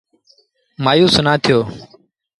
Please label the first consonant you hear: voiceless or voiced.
voiced